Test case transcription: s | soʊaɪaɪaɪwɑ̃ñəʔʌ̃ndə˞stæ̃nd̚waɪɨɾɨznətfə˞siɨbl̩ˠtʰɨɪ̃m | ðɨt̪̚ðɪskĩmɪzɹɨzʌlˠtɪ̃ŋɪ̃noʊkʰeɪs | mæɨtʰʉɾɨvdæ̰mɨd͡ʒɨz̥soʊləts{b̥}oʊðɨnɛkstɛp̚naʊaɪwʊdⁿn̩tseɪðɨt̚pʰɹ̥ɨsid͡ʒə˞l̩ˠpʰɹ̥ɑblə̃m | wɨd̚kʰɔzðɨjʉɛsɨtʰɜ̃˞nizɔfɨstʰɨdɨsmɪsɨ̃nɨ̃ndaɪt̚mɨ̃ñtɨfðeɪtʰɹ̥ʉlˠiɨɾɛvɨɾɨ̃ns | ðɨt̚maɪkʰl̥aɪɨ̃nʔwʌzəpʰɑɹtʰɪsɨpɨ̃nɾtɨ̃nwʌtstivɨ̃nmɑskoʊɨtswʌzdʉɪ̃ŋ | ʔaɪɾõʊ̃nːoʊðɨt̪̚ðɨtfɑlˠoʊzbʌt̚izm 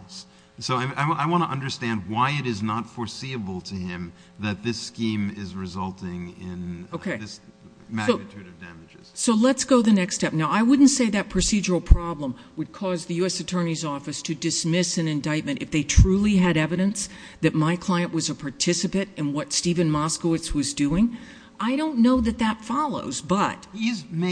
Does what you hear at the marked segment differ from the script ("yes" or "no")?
yes